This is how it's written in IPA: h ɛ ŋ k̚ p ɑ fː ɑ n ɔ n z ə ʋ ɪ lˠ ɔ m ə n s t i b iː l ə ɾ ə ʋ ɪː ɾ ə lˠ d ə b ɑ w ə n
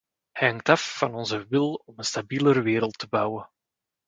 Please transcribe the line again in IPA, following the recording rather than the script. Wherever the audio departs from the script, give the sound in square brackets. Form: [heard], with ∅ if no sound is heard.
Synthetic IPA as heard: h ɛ ŋ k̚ [t] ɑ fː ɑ n ɔ n z ə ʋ ɪ lˠ ɔ m ə n s t [a] b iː l ə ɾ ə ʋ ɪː ɾ ə lˠ [t] ə b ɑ w ə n